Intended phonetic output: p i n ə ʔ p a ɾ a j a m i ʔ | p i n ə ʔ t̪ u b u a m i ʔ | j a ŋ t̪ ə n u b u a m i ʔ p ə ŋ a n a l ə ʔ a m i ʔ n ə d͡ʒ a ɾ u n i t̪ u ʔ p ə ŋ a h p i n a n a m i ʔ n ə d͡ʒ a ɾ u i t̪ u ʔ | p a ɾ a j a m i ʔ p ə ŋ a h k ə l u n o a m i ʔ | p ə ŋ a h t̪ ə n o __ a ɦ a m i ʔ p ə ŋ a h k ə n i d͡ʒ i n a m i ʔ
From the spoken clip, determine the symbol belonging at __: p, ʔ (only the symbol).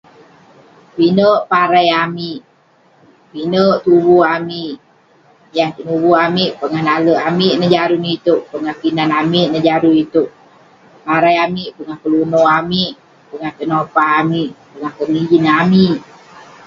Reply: p